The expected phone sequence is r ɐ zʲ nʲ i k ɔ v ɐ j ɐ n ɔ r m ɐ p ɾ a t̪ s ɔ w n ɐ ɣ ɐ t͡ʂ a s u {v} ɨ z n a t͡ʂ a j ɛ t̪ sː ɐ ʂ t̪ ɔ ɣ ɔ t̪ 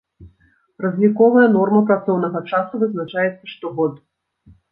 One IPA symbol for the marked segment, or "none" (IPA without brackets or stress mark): v